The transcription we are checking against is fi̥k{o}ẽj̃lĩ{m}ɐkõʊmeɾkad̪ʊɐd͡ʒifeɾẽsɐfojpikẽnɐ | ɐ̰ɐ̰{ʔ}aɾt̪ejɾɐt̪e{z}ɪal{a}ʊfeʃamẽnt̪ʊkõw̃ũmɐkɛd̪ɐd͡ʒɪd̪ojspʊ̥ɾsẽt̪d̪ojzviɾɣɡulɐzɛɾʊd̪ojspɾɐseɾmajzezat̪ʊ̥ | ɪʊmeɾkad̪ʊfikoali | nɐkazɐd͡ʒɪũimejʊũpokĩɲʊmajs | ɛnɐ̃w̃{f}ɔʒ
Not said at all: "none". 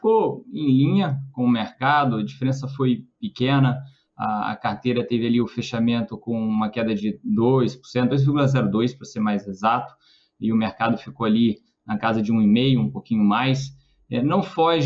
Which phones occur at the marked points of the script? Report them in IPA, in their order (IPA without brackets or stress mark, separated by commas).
o, ɲ, k, v, i, f